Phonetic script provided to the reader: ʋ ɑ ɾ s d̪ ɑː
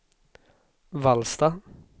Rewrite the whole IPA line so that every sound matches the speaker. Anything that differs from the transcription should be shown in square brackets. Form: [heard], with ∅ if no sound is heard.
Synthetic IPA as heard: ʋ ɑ [l] s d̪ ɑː